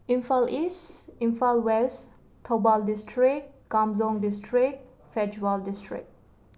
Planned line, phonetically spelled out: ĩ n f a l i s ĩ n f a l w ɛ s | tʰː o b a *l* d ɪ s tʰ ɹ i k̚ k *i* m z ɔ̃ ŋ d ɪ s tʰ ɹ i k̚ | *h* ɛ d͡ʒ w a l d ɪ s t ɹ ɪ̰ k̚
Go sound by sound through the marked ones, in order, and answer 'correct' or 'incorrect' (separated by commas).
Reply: correct, incorrect, incorrect